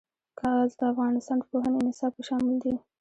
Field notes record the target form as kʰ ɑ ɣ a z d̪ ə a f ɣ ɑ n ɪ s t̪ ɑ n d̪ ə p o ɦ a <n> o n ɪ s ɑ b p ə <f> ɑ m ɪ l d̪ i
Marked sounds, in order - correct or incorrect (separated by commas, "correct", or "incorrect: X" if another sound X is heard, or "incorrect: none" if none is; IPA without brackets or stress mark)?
correct, incorrect: ʃ